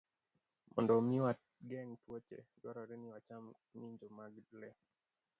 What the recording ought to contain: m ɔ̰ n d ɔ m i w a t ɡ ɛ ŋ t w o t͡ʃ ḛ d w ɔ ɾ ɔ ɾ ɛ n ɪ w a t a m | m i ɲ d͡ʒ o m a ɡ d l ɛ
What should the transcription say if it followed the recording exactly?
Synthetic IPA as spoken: m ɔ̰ n d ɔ m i w a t ɡ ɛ ŋ t w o t͡ʃ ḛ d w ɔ ɾ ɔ ɾ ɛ n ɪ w a t͡ʃ a m | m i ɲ d͡ʒ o m a ɡ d l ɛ